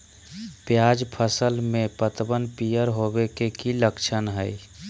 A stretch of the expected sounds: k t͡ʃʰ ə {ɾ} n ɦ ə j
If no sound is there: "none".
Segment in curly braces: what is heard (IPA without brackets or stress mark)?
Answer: none